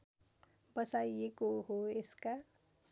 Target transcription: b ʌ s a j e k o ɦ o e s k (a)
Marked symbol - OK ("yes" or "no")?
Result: yes